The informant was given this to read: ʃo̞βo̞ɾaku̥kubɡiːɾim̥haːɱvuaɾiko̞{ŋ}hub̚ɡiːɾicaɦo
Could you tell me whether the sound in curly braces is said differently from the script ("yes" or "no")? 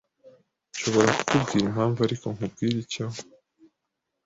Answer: no